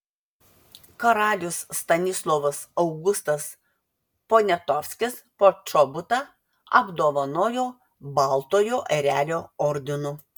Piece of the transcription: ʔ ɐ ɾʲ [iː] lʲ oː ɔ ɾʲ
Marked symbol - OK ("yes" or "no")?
no